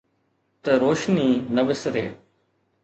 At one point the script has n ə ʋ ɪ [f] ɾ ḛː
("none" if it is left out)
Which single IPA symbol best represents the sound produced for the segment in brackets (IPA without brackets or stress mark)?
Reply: s